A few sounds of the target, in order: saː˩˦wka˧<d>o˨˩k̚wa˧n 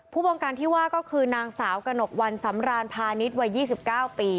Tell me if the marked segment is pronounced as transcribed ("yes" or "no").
no